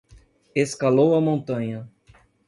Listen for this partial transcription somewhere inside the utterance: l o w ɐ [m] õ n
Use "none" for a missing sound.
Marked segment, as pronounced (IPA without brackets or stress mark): m